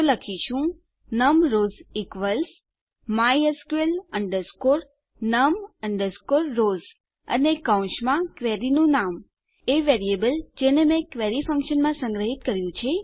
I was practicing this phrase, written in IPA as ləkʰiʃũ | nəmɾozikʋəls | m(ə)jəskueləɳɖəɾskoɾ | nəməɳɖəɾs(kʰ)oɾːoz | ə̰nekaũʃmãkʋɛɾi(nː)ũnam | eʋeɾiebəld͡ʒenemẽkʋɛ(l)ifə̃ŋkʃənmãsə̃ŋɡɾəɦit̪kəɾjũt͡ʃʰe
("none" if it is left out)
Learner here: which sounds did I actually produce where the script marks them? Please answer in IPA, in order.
a, k, n, ɾ

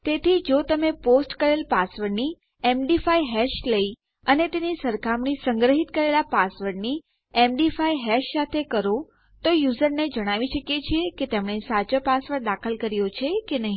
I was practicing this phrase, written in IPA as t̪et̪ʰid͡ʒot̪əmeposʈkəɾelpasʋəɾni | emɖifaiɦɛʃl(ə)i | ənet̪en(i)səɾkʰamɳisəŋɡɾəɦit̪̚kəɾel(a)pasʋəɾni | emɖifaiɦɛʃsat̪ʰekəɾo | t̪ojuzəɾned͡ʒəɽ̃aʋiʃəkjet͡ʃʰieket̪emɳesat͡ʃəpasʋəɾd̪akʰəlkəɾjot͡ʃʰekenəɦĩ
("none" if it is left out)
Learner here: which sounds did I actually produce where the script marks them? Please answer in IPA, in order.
ə, i, a

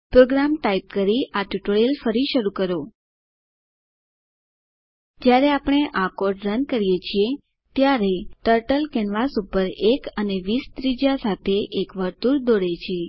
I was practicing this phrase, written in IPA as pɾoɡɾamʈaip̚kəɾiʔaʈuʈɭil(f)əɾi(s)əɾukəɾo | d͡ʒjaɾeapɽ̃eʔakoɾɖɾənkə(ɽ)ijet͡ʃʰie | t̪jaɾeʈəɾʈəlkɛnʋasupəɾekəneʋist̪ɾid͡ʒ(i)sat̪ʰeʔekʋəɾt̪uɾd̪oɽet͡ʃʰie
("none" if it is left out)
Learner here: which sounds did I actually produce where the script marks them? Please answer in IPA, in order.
f, ʃ, ɾ, a

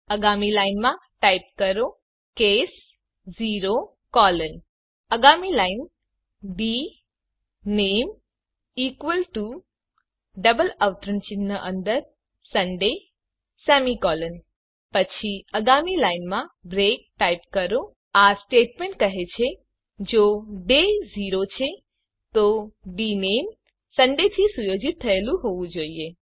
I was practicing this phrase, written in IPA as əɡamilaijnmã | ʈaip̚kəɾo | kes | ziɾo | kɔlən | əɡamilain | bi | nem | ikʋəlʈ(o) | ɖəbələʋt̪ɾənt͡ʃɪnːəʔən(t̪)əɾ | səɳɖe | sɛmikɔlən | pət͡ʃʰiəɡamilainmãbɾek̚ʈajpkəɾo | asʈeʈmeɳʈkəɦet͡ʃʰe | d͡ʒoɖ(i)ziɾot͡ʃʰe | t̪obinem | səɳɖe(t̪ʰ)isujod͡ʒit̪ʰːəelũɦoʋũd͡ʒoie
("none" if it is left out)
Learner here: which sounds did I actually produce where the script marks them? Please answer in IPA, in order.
u, d̪, e, t̪ʰ

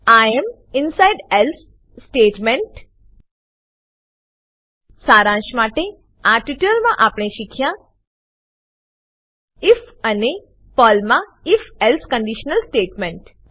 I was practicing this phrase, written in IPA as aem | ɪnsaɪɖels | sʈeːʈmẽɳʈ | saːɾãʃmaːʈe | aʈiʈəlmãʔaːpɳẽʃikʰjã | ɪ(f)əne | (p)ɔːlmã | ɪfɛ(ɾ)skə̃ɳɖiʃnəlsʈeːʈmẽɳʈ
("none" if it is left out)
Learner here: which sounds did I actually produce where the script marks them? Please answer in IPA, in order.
f, p, l

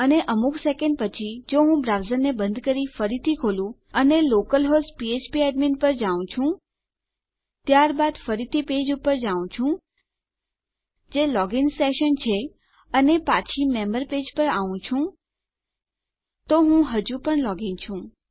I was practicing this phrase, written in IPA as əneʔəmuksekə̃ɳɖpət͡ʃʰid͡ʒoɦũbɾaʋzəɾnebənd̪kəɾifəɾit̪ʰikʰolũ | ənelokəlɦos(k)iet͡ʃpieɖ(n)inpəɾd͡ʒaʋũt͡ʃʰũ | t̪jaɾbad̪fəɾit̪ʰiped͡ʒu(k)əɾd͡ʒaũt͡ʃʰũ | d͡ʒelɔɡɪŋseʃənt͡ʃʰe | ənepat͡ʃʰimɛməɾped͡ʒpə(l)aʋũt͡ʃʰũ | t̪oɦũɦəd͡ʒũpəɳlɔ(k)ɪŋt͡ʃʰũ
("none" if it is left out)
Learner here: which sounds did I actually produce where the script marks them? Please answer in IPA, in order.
p, m, p, ɾ, ɡ

